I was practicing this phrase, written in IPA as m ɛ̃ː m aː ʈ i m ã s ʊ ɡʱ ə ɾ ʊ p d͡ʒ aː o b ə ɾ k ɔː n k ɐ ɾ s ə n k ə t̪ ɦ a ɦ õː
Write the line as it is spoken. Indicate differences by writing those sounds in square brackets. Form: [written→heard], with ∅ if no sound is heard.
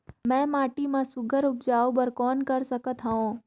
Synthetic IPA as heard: m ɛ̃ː m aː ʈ i m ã s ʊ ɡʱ ə ɾ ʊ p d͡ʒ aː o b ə ɾ k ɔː n k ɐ ɾ s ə [n→∅] k ə t̪ ɦ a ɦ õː